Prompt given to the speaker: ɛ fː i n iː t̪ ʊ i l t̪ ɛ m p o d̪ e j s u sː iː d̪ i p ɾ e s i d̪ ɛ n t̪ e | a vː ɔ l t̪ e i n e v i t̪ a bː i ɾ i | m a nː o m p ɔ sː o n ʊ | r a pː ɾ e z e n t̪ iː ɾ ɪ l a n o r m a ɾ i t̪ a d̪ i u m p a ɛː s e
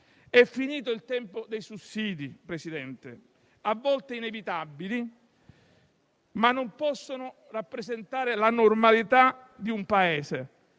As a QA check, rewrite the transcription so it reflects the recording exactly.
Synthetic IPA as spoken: ɛ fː i n iː t̪ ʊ i l t̪ ɛ m p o d̪ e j s u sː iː d̪ i p ɾ e s i d̪ ɛ n t̪ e | a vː ɔ l t̪ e i n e v i t̪ a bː i l i | m a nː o m p ɔ sː o n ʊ | r a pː ɾ e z e n t̪ aː ɾ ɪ l a n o r m a l i t̪ a d̪ i u m p a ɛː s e

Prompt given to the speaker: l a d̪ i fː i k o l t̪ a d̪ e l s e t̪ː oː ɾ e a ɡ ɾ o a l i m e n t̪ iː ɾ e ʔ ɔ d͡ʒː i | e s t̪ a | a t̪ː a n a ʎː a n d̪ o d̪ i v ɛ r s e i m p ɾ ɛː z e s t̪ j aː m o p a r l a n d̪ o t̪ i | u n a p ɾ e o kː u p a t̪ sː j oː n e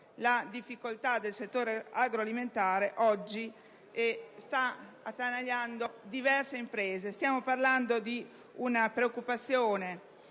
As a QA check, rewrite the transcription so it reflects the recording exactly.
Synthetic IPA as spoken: l a d̪ i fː i k o l t̪ a d̪ e l s e t̪ː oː ɾ e a ɡ ɾ o a l i m e n t̪ aː ɾ e ʔ ɔ d͡ʒː i | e s t̪ a | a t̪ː a n a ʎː a n d̪ o d̪ i v ɛ r s e i m p ɾ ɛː z e s t̪ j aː m o p a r l a n d̪ o d̪ i | u n a p ɾ e o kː u p a t̪ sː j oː n e

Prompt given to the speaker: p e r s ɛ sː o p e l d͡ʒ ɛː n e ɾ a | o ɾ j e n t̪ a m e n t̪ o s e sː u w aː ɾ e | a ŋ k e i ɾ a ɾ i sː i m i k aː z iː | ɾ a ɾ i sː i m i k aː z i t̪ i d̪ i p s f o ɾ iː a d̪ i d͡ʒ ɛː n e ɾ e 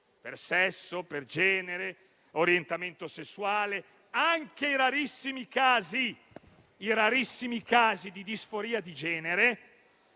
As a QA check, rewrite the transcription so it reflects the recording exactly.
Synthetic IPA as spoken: p e r s ɛ sː o p e r d͡ʒ ɛː n e ɾ e | o ɾ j e n t̪ a m e n t̪ o s e sː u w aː l e | a ŋ k e i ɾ a ɾ i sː i m i k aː z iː | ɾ a ɾ i sː i m i k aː z i d̪ i d̪ i s f o ɾ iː a d̪ i d͡ʒ ɛː n e ɾ e

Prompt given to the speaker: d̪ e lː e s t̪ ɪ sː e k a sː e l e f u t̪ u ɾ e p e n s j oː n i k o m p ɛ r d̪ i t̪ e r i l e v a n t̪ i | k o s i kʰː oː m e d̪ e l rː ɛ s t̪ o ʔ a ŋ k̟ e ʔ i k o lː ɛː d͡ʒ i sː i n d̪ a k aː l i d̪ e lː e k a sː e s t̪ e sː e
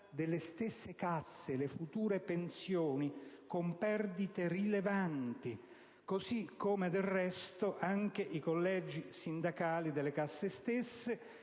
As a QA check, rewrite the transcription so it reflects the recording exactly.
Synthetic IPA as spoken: d̪ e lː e s t̪ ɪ sː e k a sː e l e f u t̪ uː ɾ e p e n s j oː n i k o m p ɛ r d̪ i t̪ e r i l e v a n t̪ i | k o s i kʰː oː m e d̪ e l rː ɛ s t̪ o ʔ a ŋ k̟ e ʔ i k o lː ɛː d͡ʒ i s i n d̪ a k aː l i d̪ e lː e k a sː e s t̪ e sː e

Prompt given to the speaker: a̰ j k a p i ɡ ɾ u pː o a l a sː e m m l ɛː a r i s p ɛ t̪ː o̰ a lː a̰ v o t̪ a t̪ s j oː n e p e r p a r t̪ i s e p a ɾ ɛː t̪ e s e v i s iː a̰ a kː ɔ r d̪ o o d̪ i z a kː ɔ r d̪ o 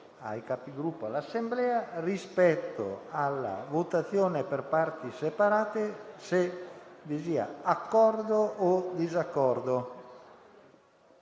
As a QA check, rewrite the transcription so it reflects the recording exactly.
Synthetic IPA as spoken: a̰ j k a p i ɡ ɾ u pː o a l a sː e m b l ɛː a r i s p ɛ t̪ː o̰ a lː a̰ v o t̪ a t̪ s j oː n e p e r p a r t̪ i s e p a ɾ aː t̪ e s e v i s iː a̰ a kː ɔ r d̪ o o d̪ i z a kː ɔ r d̪ o

